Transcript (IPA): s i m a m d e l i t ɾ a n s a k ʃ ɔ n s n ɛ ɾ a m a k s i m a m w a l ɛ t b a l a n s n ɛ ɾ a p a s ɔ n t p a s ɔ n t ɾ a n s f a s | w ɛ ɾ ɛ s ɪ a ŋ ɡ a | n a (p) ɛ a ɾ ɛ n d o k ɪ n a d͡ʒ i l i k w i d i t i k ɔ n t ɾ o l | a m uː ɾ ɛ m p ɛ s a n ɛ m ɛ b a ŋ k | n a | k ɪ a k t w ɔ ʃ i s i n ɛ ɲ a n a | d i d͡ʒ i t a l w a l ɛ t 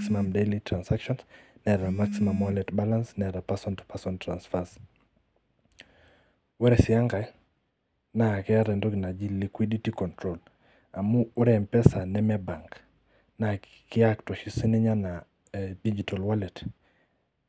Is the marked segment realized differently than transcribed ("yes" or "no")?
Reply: yes